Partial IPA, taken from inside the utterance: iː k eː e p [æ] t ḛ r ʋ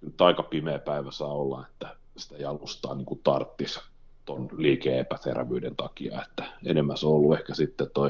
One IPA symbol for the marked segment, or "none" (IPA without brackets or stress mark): æ